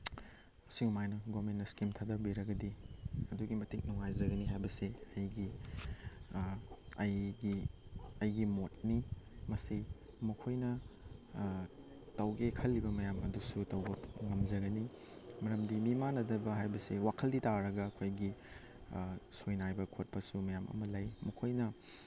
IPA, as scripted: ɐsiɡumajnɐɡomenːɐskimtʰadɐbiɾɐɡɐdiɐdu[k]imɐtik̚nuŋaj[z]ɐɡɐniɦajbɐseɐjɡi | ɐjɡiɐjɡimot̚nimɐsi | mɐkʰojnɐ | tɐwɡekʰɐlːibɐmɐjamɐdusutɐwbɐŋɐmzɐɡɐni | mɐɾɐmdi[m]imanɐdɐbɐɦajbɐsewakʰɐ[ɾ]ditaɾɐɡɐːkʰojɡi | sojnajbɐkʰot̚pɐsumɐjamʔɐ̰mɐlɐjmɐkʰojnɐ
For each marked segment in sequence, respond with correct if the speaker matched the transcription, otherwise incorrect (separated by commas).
incorrect, correct, correct, incorrect